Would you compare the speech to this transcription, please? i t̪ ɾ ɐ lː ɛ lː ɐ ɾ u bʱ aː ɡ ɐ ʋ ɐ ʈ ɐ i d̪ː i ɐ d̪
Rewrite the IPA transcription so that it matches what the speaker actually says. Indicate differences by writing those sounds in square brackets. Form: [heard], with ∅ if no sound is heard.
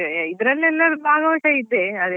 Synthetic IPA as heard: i [d̪] ɾ ɐ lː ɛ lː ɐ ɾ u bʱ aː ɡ ɐ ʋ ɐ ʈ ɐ i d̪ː [e] ɐ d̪